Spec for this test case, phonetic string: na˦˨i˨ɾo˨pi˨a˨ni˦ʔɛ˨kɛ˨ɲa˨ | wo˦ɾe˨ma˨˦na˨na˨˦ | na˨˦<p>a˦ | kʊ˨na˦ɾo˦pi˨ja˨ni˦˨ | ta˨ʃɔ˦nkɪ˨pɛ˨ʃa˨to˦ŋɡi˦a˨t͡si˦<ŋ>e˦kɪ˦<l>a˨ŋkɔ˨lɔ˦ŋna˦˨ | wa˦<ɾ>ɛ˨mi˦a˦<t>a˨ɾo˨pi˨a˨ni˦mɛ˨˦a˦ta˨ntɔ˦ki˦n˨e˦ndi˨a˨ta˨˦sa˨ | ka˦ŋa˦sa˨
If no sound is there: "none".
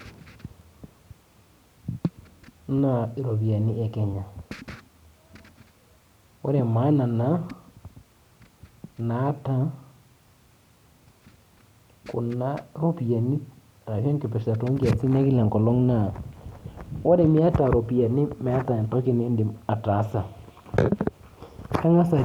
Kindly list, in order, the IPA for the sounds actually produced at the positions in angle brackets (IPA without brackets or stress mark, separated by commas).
t, n, l, ɾ, t